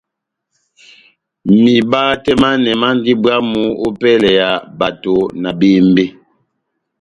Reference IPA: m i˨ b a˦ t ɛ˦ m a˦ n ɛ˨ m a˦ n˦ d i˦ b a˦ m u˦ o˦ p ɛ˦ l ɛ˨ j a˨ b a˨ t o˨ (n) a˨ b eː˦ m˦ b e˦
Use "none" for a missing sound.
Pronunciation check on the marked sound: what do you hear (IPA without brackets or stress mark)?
n